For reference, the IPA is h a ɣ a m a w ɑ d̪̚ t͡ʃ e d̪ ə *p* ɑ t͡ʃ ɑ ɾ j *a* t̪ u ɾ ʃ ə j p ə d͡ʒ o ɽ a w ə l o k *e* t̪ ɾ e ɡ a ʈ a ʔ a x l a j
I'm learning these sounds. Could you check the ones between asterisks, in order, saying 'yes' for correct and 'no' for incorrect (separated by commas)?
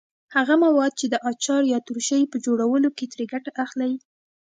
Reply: no, no, yes